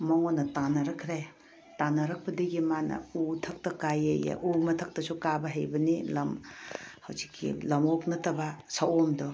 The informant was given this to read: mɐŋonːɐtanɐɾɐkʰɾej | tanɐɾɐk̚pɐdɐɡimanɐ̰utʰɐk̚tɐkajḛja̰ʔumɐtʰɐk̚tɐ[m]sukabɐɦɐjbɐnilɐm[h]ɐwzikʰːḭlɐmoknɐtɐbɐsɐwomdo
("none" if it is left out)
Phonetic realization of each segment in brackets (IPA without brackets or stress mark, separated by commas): none, h